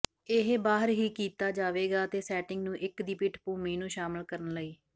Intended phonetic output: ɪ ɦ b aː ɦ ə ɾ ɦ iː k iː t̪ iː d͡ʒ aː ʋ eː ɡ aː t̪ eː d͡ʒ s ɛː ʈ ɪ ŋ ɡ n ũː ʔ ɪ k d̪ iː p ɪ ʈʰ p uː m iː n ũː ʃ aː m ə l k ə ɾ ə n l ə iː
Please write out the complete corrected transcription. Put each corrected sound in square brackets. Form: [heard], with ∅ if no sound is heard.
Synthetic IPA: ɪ ɦ b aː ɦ ə ɾ ɦ iː k iː t̪ [aː] d͡ʒ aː ʋ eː ɡ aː t̪ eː [∅] s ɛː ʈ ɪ ŋ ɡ n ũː ʔ ɪ k d̪ iː p ɪ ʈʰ p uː m iː n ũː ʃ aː m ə l k ə ɾ ə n l ə iː